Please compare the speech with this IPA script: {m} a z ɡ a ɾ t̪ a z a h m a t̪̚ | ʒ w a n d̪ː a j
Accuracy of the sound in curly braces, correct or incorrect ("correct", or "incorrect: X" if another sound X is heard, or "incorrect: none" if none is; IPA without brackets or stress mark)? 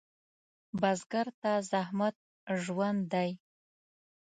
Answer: incorrect: b